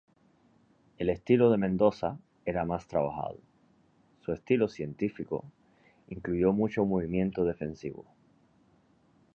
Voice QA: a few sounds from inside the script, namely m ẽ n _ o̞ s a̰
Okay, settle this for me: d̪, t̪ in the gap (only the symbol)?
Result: d̪